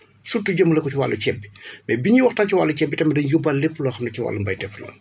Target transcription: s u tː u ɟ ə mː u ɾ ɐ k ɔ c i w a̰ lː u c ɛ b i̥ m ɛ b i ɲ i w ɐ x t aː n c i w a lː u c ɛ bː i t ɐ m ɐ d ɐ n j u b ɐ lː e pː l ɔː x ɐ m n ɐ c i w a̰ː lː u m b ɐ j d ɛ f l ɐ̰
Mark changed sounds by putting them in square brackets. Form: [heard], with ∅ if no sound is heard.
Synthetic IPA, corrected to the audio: s u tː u ɟ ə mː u [l] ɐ k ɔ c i w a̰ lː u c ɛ b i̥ m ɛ b i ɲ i w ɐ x t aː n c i w a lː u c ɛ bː i t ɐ m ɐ d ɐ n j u b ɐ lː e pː l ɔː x ɐ m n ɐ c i w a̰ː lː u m b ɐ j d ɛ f l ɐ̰